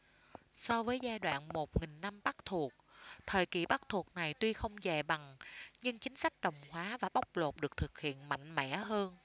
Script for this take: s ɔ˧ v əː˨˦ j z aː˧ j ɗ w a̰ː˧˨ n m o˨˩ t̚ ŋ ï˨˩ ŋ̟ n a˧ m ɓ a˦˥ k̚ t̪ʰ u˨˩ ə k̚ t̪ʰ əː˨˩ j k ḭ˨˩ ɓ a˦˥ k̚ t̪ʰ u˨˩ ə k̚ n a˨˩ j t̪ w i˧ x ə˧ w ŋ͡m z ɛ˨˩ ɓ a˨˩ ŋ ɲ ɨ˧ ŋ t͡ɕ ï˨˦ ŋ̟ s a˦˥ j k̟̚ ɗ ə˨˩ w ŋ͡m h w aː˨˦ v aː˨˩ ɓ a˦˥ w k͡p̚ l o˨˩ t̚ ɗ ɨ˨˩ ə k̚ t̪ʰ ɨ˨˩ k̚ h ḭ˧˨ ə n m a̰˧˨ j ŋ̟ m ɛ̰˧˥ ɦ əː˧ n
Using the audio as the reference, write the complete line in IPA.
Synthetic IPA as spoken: s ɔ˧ v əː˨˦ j z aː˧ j ɗ w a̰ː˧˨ n m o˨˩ t̚ ŋ ï˨˩ ŋ̟ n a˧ m ɓ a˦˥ k̚ t̪ʰ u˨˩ ə k̚ t̪ʰ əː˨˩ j k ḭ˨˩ ɓ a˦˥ k̚ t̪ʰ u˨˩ ə k̚ n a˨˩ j t̪ w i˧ x ə˧ w ŋ͡m z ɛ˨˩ ɓ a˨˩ ŋ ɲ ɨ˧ ŋ t͡ɕ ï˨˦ ŋ̟ s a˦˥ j k̟̚ ɗ ə˨˩ w ŋ͡m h w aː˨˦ v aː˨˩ ɓ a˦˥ w k͡p̚ l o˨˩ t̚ ɗ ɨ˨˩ ə k̚ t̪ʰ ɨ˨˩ k̚ h ḭ˧˨ ə n m a̰˧˨ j ŋ̟ m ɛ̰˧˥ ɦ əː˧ n

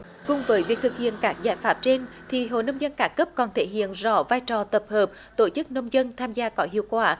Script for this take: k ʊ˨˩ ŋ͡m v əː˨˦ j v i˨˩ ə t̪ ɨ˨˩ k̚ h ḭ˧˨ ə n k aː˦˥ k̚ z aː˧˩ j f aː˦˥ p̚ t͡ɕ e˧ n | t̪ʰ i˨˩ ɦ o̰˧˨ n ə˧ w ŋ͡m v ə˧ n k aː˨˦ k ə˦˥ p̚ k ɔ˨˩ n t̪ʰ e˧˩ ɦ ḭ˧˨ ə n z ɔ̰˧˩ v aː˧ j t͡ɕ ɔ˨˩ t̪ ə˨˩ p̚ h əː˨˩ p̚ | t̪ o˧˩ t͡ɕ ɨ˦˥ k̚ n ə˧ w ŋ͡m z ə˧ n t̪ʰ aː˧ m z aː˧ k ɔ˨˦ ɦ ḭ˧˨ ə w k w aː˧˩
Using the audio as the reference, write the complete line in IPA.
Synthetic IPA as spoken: k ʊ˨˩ ŋ͡m v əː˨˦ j v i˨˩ ə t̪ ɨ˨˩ k̚ h ḭ˧˨ ə n k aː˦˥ k̚ z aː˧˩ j f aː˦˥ p̚ t͡ɕ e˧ n | t̪ʰ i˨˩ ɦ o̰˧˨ n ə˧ w ŋ͡m z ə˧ n k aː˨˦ k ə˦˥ p̚ k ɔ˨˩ n t̪ʰ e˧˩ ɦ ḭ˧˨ ə n z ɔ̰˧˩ v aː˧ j t͡ɕ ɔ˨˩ t̪ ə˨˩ p̚ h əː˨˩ p̚ | t̪ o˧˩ t͡ɕ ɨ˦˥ k̚ n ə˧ w ŋ͡m z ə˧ n t̪ʰ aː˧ m z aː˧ k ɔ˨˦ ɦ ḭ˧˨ ə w k w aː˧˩

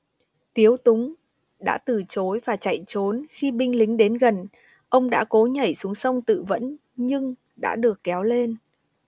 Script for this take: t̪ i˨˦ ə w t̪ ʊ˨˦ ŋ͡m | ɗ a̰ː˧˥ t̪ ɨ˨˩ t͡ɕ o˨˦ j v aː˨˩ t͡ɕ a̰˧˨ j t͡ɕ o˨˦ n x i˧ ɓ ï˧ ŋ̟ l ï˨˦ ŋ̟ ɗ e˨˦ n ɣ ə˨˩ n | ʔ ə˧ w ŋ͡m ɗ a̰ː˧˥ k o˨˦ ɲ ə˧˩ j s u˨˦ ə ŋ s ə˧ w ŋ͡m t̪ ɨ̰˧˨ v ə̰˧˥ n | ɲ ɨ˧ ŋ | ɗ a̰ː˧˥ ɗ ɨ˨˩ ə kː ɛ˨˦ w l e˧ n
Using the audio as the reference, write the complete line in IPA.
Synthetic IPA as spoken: t̪ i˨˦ ə w t̪ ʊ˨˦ ŋ͡m | ɗ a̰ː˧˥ t̪ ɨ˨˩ t͡ɕ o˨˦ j v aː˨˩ t͡ɕ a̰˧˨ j t͡ɕ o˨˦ n x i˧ ɓ ï˧ ŋ̟ l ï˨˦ ŋ̟ ɗ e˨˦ n ɣ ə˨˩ n | ʔ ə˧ w ŋ͡m ɗ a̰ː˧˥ k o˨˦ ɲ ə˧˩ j s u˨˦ ə ŋ s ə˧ w ŋ͡m t̪ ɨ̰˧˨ v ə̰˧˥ n | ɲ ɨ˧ ŋ | ɗ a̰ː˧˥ ɗ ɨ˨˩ ə kː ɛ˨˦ w l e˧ n

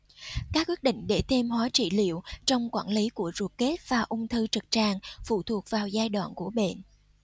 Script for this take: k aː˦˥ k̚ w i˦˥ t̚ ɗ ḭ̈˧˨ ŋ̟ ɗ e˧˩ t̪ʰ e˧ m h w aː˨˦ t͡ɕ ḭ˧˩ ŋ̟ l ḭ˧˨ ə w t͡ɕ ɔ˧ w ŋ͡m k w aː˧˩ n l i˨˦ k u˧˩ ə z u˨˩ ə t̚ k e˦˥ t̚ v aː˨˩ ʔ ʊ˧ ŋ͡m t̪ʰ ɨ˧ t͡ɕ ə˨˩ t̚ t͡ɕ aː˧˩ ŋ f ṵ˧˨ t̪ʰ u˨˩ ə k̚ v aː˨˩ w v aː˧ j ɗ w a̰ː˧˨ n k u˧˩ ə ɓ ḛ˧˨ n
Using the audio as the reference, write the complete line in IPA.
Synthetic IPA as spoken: k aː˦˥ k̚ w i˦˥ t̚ ɗ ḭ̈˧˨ ŋ̟ ɗ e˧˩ t̪ʰ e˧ m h w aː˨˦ t͡ɕ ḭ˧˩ l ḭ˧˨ ə w t͡ɕ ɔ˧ w ŋ͡m k w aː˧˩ n l i˨˦ k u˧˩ ə z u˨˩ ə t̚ k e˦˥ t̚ v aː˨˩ ʔ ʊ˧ ŋ͡m t̪ʰ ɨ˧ t͡ɕ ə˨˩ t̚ t͡ɕ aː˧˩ ŋ f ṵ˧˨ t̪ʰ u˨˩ ə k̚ v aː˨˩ w z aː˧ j ɗ w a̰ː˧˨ n k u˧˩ ə ɓ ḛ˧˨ n

